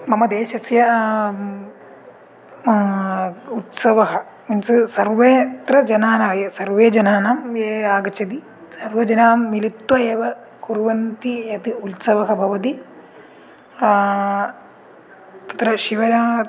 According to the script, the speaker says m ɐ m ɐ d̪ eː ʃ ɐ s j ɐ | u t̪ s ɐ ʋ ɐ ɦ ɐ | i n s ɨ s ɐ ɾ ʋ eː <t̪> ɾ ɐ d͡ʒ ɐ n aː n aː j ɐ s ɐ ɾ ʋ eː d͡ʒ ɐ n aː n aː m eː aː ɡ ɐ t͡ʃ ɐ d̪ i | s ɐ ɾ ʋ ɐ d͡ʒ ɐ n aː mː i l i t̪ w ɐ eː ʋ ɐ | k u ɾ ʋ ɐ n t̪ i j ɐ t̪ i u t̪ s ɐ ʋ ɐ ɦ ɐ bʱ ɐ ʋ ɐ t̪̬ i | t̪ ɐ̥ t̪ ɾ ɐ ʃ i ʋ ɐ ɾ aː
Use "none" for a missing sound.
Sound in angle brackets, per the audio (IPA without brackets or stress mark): t̪